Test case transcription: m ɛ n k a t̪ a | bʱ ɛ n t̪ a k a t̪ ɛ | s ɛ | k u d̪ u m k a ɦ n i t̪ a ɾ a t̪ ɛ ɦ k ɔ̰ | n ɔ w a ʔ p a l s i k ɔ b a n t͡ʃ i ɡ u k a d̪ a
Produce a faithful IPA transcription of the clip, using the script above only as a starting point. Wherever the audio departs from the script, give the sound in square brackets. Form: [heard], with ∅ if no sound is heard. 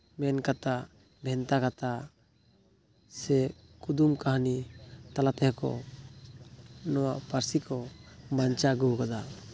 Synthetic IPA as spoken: m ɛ n k a t̪ a | bʱ ɛ n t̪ a k a t̪ [a] | s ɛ | k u d̪ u m k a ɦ n i t̪ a [l] a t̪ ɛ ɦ k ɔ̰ | n ɔ w a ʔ p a [ɾ] s i k ɔ b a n t͡ʃ [a] ɡ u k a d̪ a